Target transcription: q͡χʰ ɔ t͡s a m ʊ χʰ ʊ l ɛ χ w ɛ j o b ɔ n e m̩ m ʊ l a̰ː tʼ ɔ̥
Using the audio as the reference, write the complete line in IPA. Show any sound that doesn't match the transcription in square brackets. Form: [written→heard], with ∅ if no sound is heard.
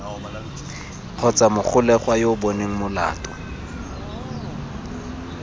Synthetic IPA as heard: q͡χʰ ɔ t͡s a m ʊ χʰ ʊ l ɛ χ w [ɛ→a] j o b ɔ n e [m̩→ŋ̩] m ʊ l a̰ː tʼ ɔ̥